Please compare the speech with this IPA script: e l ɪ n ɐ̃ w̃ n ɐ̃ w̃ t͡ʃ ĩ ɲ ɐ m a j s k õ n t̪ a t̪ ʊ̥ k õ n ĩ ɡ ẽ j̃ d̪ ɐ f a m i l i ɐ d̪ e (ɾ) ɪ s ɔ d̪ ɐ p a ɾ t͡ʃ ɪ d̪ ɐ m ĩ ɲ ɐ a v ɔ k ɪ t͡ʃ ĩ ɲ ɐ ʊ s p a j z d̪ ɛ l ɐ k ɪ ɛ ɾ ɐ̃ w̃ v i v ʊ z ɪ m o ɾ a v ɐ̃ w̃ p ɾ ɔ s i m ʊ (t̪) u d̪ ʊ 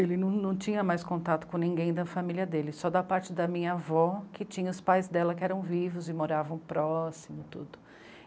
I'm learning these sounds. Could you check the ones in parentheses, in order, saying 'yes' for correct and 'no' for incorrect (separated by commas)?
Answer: no, yes